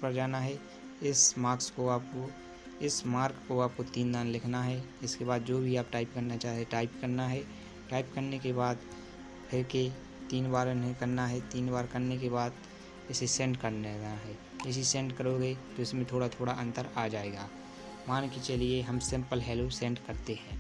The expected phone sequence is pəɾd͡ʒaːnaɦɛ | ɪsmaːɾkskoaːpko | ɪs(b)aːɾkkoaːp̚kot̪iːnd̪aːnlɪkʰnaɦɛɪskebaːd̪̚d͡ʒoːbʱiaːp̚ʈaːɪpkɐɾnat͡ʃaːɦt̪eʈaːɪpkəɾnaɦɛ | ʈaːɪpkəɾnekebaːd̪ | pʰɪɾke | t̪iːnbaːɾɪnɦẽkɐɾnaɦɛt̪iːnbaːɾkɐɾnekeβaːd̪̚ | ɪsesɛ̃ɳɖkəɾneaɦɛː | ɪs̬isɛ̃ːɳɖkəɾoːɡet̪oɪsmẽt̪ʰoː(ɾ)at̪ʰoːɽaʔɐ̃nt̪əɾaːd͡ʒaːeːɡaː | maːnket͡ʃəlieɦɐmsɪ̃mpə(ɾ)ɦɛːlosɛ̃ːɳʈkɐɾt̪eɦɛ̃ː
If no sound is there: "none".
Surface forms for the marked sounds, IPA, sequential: m, ɽ, l

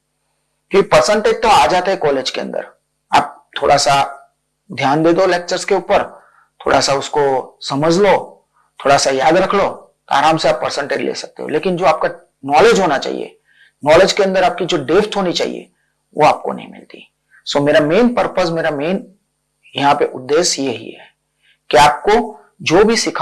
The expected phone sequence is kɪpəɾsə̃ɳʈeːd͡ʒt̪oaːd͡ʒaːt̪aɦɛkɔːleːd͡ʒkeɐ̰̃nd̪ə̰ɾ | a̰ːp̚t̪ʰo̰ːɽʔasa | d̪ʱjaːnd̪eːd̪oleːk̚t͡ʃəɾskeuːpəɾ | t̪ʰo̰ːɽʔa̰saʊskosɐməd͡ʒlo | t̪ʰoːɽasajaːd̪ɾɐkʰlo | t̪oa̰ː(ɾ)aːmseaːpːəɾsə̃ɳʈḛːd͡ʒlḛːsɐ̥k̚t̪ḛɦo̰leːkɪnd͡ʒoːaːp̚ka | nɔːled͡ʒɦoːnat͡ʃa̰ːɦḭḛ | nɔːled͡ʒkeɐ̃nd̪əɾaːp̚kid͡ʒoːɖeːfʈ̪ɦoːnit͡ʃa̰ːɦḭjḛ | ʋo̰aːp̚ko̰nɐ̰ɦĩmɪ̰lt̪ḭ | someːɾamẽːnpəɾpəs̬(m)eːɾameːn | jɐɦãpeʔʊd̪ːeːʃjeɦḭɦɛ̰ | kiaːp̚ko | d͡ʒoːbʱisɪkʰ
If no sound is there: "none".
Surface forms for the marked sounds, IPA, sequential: ɾ, m

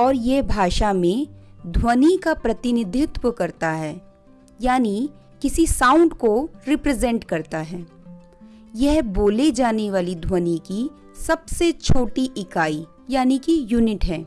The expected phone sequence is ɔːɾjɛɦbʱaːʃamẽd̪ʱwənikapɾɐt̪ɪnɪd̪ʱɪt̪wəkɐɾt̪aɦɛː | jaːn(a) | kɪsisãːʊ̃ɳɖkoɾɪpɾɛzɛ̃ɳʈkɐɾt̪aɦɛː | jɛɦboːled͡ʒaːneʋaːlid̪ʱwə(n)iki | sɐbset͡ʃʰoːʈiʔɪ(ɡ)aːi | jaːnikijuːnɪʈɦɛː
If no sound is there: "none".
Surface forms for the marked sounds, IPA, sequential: i, n, k

